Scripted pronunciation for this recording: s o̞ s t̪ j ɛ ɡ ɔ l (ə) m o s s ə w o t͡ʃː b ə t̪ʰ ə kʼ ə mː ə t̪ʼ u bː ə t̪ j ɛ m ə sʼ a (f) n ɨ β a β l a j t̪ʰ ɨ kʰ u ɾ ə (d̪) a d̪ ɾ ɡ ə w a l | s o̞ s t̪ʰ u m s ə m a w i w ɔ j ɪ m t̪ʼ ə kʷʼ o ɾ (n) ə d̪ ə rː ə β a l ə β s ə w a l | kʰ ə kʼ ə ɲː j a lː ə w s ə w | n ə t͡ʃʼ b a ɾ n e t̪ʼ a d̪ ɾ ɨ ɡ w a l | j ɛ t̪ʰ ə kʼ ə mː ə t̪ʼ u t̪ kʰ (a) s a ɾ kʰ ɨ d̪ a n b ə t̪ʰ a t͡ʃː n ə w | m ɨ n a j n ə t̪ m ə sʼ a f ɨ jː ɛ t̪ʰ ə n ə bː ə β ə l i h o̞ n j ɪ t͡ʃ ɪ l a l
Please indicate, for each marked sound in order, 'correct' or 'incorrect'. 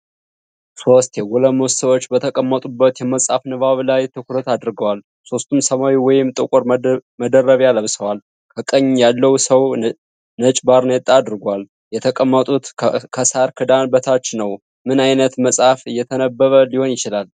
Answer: correct, correct, incorrect, incorrect, incorrect

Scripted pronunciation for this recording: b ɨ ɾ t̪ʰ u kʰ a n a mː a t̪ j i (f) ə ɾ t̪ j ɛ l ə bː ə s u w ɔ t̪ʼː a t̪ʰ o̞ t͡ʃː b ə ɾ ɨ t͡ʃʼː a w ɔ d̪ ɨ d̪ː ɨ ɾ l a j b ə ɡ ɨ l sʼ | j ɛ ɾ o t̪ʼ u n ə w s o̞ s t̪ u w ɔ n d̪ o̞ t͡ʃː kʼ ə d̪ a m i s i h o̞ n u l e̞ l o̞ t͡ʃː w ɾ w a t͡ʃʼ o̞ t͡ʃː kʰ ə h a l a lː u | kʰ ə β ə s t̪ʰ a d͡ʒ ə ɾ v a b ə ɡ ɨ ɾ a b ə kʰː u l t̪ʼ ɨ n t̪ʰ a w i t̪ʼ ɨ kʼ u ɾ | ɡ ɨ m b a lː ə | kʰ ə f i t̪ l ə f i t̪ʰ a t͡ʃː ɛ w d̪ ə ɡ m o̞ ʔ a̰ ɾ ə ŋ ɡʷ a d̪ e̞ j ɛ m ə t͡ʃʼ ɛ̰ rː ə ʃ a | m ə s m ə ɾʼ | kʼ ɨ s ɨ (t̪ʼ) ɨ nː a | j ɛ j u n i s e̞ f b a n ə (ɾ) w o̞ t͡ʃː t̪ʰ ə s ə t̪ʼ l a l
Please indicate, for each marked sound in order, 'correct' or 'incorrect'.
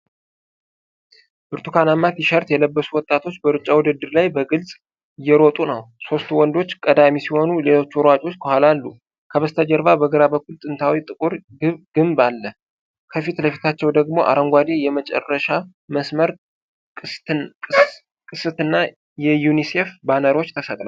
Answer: incorrect, incorrect, correct

